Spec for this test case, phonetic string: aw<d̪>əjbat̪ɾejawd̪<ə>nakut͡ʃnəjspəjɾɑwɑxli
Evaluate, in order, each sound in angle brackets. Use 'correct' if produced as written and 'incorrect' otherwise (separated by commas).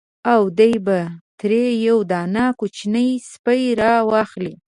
correct, incorrect